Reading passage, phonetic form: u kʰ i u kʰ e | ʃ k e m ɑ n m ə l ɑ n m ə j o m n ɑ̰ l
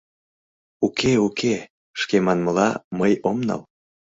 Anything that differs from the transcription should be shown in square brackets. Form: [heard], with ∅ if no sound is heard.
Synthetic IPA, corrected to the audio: u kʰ [e] u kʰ e | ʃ k e m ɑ n m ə l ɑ [∅] m ə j o m n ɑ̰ l